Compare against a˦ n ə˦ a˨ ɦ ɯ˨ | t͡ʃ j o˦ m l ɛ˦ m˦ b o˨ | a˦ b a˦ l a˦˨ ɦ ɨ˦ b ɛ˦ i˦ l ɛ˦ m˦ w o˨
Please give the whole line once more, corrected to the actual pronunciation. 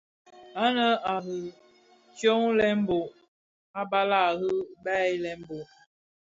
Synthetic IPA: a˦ n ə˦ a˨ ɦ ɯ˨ | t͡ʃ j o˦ ŋ l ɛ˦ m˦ b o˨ | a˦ b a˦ l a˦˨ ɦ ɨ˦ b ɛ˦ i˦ l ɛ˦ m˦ b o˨